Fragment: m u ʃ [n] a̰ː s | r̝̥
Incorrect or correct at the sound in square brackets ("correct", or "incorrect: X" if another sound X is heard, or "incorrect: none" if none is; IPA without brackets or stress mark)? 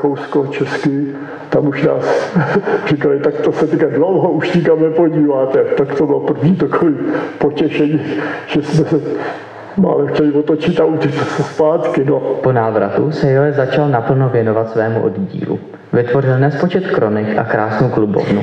correct